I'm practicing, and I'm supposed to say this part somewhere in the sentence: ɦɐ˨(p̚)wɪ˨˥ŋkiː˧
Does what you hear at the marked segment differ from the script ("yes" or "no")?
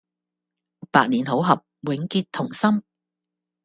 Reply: no